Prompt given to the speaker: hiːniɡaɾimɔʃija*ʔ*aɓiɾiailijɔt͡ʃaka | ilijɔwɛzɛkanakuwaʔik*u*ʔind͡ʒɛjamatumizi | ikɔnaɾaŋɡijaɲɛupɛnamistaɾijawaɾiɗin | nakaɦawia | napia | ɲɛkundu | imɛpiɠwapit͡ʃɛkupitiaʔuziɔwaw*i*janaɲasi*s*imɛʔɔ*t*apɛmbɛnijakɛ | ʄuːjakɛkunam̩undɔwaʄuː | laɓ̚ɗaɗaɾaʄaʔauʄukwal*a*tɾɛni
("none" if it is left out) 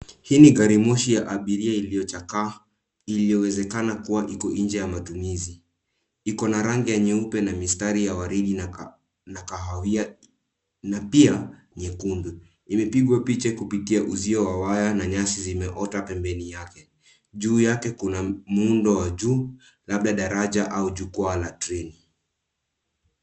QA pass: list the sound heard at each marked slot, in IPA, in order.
ʔ, ɔ, a, z, t, a

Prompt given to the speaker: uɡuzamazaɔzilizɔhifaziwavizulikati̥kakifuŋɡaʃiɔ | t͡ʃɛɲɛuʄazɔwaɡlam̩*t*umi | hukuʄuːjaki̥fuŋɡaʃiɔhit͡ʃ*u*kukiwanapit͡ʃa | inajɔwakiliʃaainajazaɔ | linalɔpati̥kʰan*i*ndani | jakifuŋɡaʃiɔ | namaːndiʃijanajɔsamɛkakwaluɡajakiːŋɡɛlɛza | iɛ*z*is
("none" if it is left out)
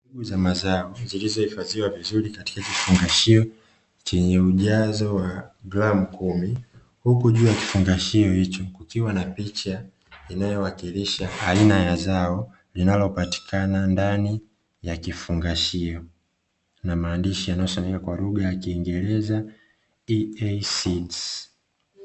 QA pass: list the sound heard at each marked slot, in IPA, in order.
k, ɔ, a, s

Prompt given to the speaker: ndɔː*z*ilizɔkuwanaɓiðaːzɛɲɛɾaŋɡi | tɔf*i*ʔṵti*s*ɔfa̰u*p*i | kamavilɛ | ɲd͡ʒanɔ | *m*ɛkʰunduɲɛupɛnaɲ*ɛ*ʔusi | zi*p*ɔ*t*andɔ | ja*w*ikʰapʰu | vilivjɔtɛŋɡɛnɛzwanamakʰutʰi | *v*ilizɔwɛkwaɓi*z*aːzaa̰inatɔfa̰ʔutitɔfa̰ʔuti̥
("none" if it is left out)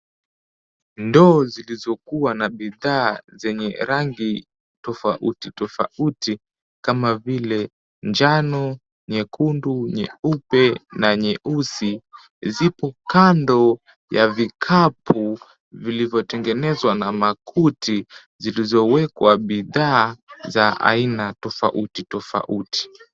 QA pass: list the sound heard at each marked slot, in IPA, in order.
z, a, t, t, ɲ, ɛ, p, k, v, z, ð

